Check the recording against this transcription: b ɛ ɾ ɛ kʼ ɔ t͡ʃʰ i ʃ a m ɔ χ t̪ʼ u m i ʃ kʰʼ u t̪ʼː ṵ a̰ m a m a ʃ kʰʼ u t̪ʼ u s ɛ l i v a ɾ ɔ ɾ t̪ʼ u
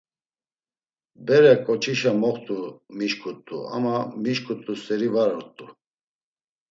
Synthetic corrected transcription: b ɛ ɾ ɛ kʼ ɔ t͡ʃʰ i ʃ a m ɔ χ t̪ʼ u m i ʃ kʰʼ u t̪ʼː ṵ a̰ m a m i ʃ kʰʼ u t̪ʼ u s ɛ ɾ i v a ɾ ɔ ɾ t̪ʼ u